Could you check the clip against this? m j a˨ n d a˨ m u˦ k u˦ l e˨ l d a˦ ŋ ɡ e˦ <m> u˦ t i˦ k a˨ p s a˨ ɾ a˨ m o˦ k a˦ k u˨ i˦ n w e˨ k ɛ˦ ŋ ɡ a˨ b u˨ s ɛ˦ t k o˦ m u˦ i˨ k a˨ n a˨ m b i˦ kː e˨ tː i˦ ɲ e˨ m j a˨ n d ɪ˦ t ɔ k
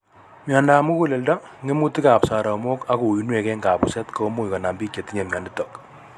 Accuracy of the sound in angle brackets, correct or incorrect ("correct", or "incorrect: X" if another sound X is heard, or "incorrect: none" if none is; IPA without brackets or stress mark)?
correct